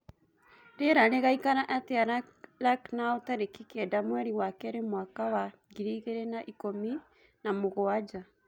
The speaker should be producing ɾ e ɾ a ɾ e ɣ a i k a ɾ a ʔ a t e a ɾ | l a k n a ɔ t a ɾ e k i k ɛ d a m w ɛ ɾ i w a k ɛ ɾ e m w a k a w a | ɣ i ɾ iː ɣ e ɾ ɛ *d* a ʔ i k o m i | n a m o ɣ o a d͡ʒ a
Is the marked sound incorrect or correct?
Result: incorrect